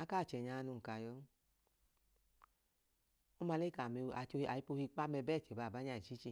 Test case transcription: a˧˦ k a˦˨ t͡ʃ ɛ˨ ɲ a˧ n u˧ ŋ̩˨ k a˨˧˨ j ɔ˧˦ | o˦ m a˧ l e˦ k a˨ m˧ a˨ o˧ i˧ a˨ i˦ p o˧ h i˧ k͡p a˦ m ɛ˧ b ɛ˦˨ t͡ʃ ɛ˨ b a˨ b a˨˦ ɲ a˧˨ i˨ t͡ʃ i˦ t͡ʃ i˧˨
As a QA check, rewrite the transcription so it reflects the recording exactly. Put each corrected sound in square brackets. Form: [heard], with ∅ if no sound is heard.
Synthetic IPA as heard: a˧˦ k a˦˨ t͡ʃ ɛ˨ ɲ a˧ n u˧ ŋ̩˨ k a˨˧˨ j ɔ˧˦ | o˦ m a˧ l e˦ k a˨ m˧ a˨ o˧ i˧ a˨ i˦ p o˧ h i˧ k͡p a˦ m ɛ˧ b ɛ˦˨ t͡ʃ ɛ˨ b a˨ b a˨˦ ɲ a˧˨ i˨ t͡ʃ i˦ t͡ʃ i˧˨